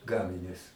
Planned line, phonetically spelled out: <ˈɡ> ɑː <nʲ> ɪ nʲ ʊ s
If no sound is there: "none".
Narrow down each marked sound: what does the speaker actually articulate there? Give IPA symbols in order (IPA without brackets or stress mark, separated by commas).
ɡ, mʲ